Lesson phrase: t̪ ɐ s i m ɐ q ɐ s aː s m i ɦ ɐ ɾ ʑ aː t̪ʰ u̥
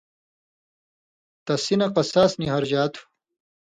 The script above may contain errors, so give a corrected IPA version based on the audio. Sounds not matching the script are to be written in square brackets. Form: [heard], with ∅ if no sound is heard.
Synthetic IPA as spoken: t̪ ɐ s i [n] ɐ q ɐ s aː s [n] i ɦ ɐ ɾ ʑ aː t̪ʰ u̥